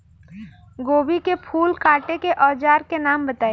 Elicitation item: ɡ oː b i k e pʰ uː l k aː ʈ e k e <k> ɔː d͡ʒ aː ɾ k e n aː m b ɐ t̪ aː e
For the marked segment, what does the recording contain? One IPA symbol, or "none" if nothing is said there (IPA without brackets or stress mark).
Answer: ʔ